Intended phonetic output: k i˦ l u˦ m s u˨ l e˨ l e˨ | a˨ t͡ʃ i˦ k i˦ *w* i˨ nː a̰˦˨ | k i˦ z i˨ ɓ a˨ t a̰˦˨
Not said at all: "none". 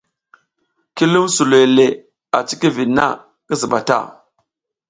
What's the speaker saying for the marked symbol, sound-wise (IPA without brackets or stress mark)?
v